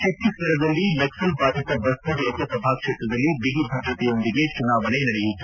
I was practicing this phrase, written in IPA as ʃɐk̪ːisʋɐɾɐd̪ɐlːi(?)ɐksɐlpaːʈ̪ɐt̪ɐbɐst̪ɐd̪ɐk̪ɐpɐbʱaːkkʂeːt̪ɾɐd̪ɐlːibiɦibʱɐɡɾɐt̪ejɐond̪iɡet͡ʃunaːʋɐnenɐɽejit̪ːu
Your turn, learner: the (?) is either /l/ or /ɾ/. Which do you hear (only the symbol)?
l